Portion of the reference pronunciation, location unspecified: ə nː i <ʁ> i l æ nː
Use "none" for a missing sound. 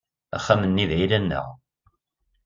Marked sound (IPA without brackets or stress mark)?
ð